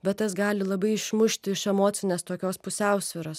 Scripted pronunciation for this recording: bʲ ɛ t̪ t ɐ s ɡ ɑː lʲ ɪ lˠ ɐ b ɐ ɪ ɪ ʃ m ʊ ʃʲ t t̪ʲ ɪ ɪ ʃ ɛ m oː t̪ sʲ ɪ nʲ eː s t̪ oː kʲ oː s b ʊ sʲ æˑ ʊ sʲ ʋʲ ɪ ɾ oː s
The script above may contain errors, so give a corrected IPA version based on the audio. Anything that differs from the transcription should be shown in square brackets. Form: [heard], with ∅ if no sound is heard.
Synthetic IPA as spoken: bʲ ɛ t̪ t ɐ s ɡ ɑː lʲ ɪ lˠ ɐ b ɐ ɪ ɪ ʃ m ʊ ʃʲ t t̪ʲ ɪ ɪ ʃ ɛ m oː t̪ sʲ ɪ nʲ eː s t̪ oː kʲ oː s [p] ʊ sʲ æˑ ʊ sʲ ʋʲ ɪ ɾ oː s